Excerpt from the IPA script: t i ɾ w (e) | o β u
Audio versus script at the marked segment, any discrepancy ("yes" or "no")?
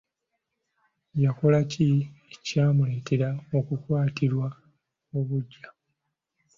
yes